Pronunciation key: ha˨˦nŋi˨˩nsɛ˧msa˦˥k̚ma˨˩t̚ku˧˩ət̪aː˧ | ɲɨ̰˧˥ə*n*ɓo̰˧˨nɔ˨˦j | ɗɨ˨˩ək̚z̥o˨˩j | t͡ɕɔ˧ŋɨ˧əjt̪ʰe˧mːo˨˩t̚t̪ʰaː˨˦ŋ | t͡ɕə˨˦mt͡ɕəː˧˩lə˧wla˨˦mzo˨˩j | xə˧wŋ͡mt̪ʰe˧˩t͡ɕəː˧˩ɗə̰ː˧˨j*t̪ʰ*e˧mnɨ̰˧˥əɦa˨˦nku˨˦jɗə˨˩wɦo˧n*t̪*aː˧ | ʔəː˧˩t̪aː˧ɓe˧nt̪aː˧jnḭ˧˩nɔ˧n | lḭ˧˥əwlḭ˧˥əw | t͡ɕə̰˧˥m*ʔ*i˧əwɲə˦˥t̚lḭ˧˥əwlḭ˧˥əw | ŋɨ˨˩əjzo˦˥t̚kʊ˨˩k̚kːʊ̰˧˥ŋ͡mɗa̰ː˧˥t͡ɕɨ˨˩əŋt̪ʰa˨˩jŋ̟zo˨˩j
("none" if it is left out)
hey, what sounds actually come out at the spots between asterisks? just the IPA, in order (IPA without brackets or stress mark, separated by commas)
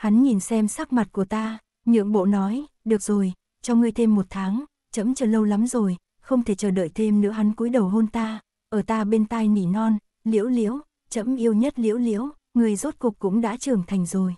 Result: ŋ, t̪ʰ, t̪, ʔ